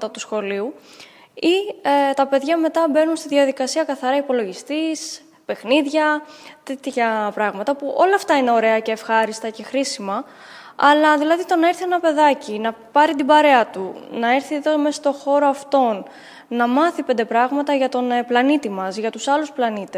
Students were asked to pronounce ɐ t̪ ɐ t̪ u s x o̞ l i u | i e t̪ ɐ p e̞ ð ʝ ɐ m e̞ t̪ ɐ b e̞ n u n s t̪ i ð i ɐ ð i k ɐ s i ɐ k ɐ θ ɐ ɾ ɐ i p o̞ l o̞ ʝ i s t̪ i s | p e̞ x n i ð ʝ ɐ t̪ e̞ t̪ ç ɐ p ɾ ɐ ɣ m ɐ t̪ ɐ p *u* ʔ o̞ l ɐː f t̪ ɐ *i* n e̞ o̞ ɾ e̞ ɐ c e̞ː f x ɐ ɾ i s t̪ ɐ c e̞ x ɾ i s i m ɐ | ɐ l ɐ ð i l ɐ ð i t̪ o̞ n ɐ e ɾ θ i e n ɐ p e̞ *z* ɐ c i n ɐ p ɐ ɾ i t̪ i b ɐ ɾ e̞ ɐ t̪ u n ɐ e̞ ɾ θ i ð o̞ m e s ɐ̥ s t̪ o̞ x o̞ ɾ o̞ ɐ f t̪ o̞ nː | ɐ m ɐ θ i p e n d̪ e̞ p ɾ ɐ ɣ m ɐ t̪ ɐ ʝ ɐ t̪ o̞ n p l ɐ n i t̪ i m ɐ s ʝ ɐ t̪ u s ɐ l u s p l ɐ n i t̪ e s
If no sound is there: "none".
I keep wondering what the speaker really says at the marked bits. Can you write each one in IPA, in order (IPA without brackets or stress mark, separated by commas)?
u, i, ð